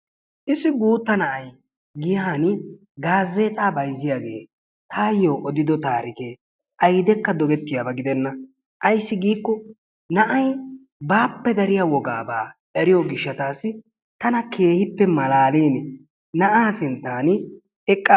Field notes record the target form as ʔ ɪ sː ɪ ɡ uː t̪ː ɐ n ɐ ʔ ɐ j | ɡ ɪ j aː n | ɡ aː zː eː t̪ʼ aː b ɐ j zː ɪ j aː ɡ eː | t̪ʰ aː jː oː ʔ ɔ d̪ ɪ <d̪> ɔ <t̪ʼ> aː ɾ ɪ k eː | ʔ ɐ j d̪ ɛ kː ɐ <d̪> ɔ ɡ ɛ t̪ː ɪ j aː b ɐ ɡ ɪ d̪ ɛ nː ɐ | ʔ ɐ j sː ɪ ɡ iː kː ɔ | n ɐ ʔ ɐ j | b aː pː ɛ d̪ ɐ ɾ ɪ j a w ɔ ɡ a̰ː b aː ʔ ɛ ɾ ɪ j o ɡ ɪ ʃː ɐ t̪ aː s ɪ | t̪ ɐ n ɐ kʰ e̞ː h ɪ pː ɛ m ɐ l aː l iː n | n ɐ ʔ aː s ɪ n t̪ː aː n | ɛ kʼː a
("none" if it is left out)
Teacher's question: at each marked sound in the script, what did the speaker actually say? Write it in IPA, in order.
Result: d̪, t̪, d̪

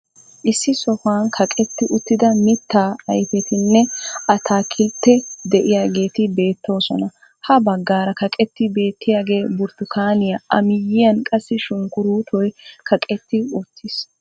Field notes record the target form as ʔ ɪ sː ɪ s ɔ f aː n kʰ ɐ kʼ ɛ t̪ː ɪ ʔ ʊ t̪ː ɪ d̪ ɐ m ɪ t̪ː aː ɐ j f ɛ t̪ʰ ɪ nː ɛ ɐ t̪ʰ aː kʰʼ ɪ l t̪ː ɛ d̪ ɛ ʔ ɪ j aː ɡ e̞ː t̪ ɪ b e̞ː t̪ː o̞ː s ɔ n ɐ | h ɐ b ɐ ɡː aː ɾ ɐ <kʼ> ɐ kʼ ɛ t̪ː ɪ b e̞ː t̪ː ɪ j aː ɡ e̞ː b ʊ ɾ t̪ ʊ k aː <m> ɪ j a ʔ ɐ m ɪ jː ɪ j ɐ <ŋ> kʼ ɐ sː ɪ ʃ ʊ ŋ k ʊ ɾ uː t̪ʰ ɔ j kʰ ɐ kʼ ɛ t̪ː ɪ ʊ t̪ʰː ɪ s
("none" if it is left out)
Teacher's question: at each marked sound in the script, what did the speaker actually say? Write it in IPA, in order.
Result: k, n, n

